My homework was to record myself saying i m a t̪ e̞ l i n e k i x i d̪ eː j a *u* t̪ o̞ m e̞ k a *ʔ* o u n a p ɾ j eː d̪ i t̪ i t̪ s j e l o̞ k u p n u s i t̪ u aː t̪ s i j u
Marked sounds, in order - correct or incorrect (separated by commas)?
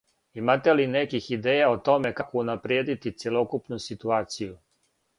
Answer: incorrect, incorrect